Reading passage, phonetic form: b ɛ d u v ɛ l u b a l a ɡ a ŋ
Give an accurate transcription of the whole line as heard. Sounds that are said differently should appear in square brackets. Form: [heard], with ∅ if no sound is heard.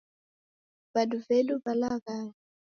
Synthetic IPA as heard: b [a] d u v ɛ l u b a l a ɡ a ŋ